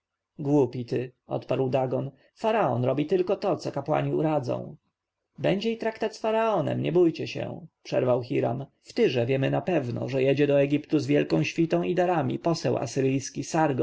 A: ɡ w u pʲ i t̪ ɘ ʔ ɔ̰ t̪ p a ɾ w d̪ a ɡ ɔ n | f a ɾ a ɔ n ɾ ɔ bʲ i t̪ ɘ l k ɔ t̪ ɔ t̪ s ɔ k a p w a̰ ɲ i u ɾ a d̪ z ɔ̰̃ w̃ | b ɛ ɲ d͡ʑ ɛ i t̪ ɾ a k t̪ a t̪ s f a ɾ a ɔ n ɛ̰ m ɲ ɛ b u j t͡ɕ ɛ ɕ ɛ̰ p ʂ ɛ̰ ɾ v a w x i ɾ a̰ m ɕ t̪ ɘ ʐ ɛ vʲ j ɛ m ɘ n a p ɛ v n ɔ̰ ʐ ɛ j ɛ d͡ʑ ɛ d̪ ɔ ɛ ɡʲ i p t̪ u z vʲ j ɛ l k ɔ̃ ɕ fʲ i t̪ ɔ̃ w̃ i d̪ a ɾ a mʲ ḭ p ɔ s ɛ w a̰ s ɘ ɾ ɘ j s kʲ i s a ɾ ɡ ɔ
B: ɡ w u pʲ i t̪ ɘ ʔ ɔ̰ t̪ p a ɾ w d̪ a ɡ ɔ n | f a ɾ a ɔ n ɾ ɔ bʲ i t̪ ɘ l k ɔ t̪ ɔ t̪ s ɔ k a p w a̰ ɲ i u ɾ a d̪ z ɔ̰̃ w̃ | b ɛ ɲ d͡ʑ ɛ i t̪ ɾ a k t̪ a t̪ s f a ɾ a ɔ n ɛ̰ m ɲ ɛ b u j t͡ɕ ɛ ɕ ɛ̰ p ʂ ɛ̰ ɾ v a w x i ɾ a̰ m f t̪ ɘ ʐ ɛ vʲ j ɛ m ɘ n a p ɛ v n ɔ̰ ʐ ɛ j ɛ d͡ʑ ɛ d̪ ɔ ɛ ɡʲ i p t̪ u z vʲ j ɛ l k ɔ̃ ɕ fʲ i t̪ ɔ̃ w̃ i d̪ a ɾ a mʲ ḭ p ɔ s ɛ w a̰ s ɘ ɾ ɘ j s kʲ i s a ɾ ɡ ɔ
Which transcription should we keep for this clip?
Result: B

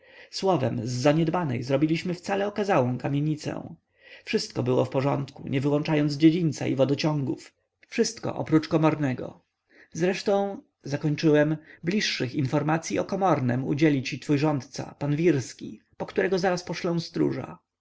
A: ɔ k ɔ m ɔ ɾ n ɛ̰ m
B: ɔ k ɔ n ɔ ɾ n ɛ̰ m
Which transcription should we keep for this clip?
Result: A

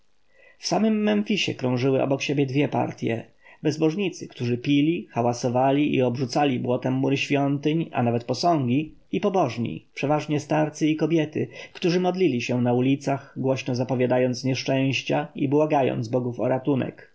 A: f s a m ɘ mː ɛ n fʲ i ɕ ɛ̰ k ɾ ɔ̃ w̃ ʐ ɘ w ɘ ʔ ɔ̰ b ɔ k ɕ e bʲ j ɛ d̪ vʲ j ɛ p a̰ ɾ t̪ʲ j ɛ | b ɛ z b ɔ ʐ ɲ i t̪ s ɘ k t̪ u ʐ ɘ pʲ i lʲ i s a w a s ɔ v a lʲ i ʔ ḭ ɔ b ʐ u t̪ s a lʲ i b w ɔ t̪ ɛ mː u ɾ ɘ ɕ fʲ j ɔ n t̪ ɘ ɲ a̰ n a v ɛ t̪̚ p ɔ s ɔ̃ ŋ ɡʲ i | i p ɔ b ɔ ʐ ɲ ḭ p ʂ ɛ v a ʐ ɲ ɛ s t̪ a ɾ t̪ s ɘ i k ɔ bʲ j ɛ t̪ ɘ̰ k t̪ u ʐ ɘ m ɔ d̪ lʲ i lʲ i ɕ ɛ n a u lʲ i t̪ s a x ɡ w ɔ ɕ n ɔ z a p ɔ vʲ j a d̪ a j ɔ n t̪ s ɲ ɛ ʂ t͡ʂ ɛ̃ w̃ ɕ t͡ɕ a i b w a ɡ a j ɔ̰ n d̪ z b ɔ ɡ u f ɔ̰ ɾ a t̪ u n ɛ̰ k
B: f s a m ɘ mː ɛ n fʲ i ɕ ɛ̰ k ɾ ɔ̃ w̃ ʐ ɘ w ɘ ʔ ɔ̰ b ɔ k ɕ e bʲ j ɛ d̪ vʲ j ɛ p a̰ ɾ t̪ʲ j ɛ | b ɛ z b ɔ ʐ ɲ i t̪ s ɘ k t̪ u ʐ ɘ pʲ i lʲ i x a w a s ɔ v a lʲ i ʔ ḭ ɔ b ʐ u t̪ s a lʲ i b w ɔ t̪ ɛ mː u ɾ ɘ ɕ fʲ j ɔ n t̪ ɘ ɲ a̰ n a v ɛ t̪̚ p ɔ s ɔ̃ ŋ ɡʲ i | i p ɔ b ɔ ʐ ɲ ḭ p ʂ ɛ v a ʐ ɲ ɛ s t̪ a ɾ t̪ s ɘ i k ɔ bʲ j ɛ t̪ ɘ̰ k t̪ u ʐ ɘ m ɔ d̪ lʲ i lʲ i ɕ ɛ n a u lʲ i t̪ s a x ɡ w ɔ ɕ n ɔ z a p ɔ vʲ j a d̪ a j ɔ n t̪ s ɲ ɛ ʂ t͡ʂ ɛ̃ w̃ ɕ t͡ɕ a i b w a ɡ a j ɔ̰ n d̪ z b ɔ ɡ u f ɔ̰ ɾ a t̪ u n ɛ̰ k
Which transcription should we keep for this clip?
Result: B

